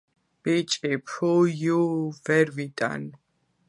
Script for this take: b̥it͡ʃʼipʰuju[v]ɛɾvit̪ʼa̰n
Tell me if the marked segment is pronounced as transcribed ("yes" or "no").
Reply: yes